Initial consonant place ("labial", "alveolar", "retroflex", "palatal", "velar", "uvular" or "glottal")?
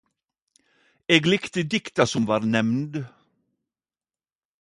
velar